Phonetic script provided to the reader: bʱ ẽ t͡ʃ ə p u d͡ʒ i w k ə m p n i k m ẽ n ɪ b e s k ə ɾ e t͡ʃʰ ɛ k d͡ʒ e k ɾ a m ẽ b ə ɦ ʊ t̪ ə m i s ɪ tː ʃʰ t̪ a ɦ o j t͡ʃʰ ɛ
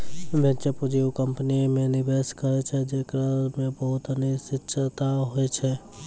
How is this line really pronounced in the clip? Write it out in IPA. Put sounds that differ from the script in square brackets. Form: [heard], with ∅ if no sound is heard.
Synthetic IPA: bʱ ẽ t͡ʃ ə p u d͡ʒ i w k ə m p n i [∅] m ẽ n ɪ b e s k ə ɾ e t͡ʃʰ ɛ [∅] d͡ʒ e k ɾ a m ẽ b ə ɦ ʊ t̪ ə [n] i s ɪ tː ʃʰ t̪ a ɦ o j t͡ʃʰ ɛ